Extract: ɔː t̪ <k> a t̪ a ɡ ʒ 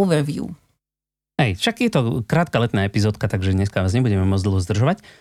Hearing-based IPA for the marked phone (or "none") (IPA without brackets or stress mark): k